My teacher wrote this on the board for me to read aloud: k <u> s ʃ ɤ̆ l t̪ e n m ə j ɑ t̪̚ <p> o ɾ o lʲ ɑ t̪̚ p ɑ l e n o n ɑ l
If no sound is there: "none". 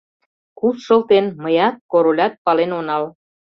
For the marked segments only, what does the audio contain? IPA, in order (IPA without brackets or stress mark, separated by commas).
u, k